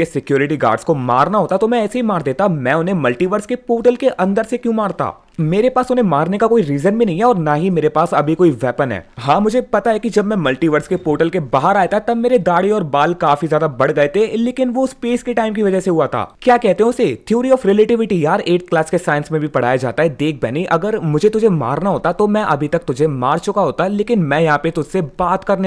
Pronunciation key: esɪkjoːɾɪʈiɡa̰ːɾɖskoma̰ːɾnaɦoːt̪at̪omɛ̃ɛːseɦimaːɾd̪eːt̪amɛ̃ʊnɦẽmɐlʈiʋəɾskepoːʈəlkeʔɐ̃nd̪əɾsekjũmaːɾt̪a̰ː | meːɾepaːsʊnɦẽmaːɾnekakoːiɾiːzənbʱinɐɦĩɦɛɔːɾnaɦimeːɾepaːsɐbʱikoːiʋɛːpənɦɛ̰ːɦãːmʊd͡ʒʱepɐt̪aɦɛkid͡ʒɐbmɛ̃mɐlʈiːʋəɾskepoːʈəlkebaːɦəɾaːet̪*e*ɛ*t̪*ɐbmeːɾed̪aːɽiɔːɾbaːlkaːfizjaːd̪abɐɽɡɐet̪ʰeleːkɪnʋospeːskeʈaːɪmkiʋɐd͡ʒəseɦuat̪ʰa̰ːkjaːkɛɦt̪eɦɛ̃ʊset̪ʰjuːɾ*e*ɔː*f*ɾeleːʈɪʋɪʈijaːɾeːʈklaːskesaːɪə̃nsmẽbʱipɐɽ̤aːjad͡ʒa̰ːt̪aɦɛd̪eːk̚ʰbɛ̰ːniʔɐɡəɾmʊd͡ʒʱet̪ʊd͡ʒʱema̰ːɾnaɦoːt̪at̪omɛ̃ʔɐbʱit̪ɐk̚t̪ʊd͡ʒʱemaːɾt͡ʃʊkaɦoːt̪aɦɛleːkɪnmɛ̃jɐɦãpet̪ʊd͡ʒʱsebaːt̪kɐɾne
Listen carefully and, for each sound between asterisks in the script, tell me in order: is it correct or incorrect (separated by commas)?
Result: incorrect, correct, incorrect, correct